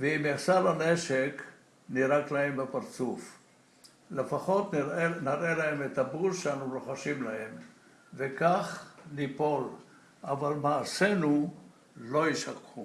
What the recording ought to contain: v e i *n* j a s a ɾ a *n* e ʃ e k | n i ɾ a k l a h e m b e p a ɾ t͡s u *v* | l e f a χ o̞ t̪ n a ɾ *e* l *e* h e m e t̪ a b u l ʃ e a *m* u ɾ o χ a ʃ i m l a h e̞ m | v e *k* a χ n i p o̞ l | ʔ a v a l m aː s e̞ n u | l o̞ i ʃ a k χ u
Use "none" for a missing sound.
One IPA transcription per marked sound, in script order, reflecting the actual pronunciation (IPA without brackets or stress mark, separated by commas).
m, n, f, e, a, n, k